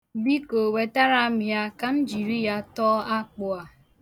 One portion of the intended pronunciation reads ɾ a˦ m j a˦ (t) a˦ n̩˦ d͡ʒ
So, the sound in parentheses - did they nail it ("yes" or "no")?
no